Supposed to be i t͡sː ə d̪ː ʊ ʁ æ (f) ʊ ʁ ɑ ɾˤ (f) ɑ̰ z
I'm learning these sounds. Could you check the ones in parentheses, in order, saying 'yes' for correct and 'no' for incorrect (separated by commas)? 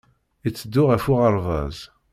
yes, no